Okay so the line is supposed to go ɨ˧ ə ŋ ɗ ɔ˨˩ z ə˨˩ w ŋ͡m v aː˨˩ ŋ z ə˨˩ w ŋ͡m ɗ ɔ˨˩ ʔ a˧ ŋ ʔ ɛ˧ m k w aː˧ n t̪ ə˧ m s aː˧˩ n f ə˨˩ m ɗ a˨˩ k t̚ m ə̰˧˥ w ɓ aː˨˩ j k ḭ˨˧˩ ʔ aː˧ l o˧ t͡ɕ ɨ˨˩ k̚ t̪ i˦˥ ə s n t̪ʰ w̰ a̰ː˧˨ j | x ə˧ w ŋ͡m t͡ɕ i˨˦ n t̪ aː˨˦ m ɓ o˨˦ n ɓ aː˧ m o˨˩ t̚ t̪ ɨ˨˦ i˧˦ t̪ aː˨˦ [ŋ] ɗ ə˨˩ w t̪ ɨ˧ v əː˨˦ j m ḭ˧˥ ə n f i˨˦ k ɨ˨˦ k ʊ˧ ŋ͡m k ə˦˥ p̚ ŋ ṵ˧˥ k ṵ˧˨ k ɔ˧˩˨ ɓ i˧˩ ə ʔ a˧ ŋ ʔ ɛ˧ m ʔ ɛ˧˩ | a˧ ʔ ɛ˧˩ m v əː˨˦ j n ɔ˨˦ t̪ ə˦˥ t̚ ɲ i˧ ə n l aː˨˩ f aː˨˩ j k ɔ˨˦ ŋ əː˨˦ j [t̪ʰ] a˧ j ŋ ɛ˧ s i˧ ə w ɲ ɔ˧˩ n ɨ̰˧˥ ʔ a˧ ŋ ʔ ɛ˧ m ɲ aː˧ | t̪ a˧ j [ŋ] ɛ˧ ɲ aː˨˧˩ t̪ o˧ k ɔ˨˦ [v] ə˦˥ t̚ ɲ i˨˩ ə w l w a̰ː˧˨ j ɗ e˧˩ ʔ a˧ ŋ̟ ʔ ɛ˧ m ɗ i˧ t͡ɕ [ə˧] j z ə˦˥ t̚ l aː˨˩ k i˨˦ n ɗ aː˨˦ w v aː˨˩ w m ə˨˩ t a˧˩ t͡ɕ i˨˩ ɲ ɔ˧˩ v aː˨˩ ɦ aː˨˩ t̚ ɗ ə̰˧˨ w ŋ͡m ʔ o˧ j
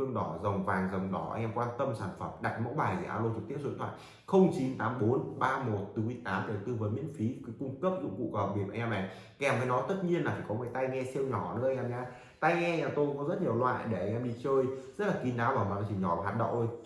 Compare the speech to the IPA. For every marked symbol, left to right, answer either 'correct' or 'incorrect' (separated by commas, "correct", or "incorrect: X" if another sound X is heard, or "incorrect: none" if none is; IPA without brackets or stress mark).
incorrect: m, incorrect: t̪, correct, incorrect: z, incorrect: əː˧